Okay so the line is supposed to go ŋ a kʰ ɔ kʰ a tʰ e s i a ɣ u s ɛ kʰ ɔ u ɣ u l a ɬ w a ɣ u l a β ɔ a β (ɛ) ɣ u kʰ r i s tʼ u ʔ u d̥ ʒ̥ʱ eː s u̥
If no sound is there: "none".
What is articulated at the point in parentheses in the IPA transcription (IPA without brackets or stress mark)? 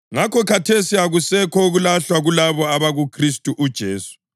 a